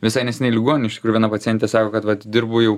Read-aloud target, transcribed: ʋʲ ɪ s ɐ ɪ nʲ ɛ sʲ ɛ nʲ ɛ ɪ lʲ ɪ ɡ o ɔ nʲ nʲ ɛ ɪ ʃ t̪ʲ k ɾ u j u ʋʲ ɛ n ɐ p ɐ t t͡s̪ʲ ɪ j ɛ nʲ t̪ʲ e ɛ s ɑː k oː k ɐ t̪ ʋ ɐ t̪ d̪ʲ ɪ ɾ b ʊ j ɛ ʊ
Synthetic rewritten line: ʋʲ ɪ s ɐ ɪ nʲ ɛ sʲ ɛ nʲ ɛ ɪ lʲ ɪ ɡ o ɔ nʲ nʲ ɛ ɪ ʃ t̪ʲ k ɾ u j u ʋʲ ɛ n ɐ p ɐ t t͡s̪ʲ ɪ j ɛ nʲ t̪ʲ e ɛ s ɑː k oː k ɐ t̪ ʋ ɐ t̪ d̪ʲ ɪ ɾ b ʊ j ɛ ʊ

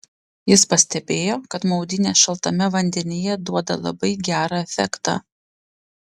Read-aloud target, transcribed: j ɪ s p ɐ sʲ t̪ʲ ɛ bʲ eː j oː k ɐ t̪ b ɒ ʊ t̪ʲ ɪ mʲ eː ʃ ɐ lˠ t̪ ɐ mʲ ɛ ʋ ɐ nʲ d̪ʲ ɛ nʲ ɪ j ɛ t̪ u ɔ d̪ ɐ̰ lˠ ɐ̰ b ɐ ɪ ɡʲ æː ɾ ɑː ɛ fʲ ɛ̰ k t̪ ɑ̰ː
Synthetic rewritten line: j ɪ s p ɐ sʲ t̪ʲ ɛ bʲ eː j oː k ɐ t̪ m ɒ ʊ d̪ʲ ɪ nʲ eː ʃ ɐ lˠ t̪ ɐ mʲ ɛ ʋ ɐ nʲ d̪ʲ ɛ nʲ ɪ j ɛ d̪ u ɔ d̪ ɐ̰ lˠ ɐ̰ b ɐ ɪ ɡʲ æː ɾ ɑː ɛ fʲ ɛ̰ k t̪ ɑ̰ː

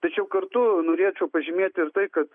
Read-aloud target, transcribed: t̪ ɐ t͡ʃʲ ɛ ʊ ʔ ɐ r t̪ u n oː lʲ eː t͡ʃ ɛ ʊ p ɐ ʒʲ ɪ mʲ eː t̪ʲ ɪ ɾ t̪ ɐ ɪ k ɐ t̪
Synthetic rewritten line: t̪ ɐ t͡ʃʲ ɛ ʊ k ɐ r t̪ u n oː ɾʲ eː t͡ʃ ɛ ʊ p ɐ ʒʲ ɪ mʲ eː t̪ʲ ɪ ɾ t̪ ɐ ɪ k ɐ t̪

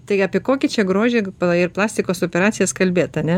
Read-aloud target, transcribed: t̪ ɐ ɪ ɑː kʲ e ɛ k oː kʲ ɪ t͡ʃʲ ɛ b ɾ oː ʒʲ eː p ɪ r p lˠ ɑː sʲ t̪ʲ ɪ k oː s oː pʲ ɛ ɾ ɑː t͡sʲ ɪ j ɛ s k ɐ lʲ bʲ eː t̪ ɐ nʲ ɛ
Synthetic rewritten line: t̪ ɐ ɪ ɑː pʲ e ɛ k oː kʲ ɪ t͡ʃʲ ɛ ɡ ɾ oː ʒʲ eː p ɪ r p lˠ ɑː sʲ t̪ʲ ɪ k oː s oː pʲ ɛ ɾ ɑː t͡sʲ ɪ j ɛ s k ɐ lʲ bʲ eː t̪ ɐ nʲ ɛ

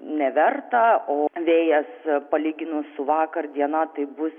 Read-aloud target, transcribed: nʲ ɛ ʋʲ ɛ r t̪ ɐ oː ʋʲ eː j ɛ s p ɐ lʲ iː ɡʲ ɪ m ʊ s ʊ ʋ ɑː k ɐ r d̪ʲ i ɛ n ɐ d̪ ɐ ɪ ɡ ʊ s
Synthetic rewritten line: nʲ ɛ ʋʲ ɛ r t̪ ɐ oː ʋʲ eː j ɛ s p ɐ lʲ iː ɡʲ ɪ n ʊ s ʊ ʋ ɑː k ɐ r d̪ʲ i ɛ n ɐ t̪ ɐ ɪ b ʊ s

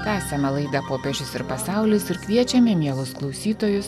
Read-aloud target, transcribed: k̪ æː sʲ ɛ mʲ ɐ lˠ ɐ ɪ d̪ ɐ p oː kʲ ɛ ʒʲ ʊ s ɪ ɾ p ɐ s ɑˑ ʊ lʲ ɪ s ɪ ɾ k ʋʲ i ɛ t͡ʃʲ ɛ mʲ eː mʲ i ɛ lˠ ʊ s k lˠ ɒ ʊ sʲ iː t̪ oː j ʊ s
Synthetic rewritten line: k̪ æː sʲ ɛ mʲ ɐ lˠ ɐ ɪ d̪ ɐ p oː pʲ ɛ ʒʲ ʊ s ɪ ɾ p ɐ s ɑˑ ʊ lʲ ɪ s ɪ ɾ k ʋʲ i ɛ t͡ʃʲ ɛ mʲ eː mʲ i ɛ lˠ ʊ s k lˠ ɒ ʊ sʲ iː t̪ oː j ʊ s

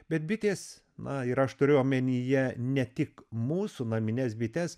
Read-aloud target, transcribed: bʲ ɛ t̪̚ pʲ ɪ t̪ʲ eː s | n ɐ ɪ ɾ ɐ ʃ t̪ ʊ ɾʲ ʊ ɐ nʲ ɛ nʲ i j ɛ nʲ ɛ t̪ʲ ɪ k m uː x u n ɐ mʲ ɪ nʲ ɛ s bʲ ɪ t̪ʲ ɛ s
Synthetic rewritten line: bʲ ɛ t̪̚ bʲ ɪ t̪ʲ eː s | n ɐ ɪ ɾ ɐ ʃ t̪ ʊ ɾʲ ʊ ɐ mʲ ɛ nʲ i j ɛ nʲ ɛ t̪ʲ ɪ k m uː s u n ɐ mʲ ɪ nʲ ɛ s bʲ ɪ t̪ʲ ɛ s

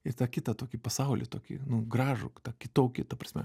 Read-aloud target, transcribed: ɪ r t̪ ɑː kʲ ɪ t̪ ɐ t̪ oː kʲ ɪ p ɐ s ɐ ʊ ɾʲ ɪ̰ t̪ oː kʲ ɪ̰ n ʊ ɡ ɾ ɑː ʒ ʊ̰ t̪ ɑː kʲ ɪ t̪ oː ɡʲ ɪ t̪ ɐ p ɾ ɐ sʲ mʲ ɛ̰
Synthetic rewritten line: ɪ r t̪ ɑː kʲ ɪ t̪ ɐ t̪ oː kʲ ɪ p ɐ s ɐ ʊ lʲ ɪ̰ t̪ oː kʲ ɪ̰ n ʊ ɡ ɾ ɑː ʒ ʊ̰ t̪ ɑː kʲ ɪ t̪ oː kʲ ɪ t̪ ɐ p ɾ ɐ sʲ mʲ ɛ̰

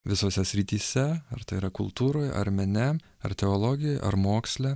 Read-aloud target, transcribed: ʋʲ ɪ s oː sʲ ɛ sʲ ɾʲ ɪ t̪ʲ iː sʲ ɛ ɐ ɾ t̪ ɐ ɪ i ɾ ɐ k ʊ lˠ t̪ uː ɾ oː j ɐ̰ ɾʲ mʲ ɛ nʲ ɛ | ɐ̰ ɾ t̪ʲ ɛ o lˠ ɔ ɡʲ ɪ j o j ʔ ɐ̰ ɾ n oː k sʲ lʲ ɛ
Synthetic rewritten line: ʋʲ ɪ s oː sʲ ɛ sʲ ɾʲ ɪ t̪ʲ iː sʲ ɛ ɐ ɾ t̪ ɐ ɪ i ɾ ɐ k ʊ lˠ t̪ uː ɾ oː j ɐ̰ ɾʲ mʲ ɛ nʲ ɛ | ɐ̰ ɾ t̪ʲ ɛ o lˠ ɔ ɡʲ ɪ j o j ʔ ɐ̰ ɾ m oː k sʲ lʲ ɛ

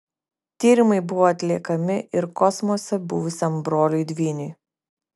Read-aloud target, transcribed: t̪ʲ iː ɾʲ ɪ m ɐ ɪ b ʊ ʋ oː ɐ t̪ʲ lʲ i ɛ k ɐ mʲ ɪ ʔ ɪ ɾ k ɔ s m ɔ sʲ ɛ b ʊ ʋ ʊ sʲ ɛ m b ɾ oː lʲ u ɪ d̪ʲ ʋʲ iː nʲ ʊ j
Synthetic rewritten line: t̪ʲ iː ɾʲ ɪ m ɐ ɪ b ʊ ʋ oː ɐ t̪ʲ lʲ i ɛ k ɐ mʲ ɪ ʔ ɪ ɾ k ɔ s m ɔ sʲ ɛ b ʊ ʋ ʊ sʲ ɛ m b ɾ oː lʲ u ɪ d̪ʲ ʋʲ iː nʲ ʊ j

